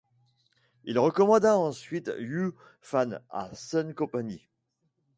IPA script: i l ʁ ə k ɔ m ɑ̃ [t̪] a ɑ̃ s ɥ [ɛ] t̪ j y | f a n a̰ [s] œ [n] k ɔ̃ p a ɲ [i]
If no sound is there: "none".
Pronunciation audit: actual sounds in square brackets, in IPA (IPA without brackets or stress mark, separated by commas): d̪, i, s, n, i